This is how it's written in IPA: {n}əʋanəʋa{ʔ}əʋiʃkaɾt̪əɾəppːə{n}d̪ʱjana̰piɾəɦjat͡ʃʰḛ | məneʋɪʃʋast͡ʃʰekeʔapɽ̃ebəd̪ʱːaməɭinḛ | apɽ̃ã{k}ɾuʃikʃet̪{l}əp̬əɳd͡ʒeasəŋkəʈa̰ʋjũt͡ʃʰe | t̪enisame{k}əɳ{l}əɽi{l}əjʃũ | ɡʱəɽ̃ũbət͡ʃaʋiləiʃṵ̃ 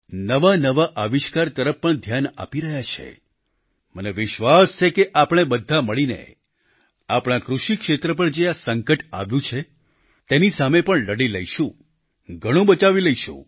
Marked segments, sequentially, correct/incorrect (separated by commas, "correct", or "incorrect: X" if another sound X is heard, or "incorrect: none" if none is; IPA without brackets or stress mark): correct, correct, incorrect: ɳ, correct, incorrect: ɾ, incorrect: p, correct, correct